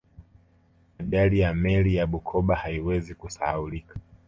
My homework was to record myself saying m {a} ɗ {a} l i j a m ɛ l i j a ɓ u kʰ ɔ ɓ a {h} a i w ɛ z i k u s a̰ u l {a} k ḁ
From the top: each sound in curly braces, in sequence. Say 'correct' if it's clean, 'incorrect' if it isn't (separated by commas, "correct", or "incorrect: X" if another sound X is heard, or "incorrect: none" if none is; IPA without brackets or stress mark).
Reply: correct, correct, correct, incorrect: i